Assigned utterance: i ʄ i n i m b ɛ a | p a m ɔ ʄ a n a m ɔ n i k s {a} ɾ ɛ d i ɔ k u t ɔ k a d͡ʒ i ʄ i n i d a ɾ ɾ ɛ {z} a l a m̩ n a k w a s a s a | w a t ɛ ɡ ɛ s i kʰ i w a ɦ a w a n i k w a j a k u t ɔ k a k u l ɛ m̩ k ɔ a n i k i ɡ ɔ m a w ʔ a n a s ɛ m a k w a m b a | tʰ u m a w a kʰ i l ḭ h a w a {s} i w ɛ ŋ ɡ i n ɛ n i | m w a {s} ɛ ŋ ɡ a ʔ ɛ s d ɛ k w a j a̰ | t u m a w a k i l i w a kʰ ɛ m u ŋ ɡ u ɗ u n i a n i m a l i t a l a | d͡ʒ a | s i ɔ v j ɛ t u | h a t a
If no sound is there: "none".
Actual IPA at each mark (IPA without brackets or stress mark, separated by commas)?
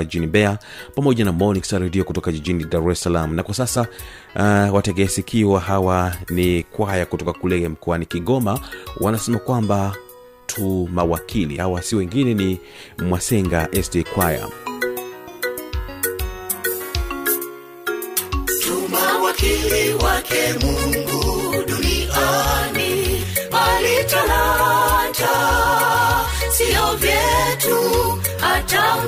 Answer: a, s, s, s